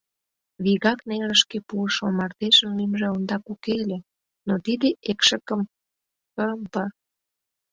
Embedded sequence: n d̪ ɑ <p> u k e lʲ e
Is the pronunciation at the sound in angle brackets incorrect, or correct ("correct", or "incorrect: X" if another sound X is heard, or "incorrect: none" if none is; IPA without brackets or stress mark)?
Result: incorrect: k